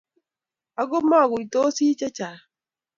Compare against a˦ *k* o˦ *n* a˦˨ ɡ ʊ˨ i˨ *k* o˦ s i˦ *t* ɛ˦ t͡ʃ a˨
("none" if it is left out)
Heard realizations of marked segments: ɡ, m, t, t͡ʃ

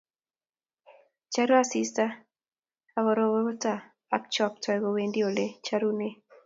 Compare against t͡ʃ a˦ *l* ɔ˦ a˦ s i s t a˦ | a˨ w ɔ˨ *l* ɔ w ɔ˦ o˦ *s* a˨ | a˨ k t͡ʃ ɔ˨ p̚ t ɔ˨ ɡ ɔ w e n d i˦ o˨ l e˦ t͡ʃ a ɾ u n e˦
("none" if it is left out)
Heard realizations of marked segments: ɾ, ɾ, t

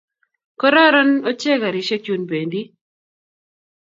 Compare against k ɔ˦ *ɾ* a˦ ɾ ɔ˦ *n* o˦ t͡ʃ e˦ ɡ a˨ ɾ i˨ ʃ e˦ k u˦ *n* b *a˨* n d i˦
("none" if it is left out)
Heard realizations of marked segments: ɾ, n, n, e˨

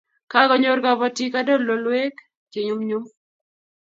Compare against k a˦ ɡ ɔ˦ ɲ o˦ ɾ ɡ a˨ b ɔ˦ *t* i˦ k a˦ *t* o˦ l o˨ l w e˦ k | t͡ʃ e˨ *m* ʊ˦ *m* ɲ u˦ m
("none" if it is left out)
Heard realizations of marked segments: t, d, ɲ, m

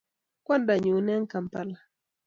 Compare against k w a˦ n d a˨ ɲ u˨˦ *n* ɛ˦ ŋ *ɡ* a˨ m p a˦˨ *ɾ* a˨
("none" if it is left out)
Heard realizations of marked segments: n, k, l

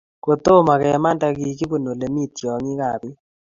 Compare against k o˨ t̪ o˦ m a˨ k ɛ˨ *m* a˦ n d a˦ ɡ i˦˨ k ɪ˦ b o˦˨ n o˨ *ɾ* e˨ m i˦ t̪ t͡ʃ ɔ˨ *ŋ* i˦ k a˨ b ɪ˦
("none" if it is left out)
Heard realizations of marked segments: m, l, ŋ

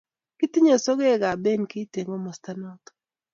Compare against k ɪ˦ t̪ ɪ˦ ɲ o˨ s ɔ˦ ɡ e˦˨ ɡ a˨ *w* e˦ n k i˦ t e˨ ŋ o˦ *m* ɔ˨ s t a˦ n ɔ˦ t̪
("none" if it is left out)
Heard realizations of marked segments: b, m

